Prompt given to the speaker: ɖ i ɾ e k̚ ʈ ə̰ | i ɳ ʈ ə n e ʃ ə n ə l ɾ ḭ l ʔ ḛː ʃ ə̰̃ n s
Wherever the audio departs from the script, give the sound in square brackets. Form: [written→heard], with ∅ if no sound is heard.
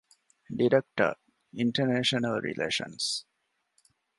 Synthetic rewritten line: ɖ i ɾ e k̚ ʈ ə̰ | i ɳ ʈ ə n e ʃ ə n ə l ɾ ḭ l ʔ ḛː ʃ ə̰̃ n s